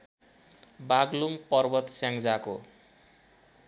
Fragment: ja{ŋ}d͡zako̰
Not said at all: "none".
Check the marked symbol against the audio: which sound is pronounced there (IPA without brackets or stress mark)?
ŋ